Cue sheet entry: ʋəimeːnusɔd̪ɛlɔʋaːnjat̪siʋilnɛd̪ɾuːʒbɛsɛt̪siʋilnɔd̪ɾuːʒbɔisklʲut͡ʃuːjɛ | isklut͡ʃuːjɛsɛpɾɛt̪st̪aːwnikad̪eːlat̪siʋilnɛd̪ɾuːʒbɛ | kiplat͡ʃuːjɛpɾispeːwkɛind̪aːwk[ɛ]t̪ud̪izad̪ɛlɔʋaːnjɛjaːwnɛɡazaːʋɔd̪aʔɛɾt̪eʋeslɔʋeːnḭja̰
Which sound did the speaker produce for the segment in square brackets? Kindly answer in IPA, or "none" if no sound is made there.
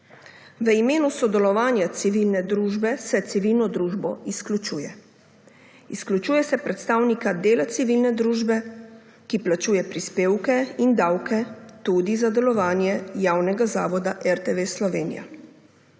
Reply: ɛ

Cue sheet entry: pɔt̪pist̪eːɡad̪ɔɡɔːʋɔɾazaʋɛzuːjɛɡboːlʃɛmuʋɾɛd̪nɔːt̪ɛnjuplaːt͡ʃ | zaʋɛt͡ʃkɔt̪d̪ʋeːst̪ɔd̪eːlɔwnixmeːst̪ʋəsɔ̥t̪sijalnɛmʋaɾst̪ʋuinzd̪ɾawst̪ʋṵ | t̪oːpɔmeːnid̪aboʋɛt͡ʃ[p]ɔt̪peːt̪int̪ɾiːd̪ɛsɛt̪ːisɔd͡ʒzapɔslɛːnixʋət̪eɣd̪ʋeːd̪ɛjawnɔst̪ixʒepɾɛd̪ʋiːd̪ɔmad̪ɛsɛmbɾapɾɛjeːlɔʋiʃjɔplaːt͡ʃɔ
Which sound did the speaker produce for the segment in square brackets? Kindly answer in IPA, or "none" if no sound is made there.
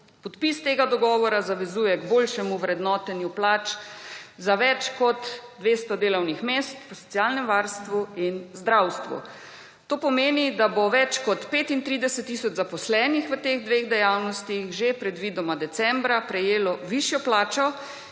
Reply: k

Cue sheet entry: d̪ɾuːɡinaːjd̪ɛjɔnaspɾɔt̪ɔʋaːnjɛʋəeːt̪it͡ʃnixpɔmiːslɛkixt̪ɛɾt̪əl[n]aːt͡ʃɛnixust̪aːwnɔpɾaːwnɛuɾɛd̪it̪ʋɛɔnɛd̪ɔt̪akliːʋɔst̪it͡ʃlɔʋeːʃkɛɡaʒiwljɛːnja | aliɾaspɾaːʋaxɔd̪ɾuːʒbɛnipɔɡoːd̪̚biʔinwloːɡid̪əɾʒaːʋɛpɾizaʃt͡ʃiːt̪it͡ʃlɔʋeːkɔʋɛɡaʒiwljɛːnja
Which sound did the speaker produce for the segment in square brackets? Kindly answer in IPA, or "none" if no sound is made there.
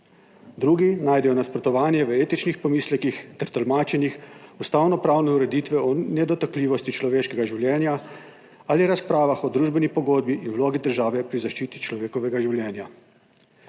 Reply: m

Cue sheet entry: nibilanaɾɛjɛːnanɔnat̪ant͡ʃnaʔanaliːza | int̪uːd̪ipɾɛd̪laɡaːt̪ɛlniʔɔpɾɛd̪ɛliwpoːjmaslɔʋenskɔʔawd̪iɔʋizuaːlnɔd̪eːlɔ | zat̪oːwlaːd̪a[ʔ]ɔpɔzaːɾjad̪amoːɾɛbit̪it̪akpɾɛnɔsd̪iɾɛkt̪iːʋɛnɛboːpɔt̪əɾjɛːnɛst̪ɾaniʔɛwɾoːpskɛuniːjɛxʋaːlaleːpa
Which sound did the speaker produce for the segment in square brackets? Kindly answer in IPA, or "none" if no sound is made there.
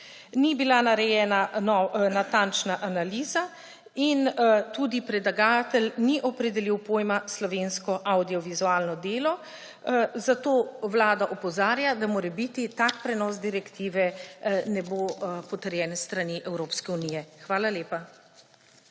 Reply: ʔ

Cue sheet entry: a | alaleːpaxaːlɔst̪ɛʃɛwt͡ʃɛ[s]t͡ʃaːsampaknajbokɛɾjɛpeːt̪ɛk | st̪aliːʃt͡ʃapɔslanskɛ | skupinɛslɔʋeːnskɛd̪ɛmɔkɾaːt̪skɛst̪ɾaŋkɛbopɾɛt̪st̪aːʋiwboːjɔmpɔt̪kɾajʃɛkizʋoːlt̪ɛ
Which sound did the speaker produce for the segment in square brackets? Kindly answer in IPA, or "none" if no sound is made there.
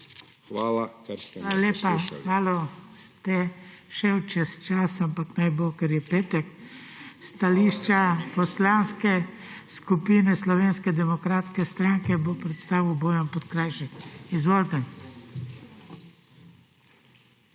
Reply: s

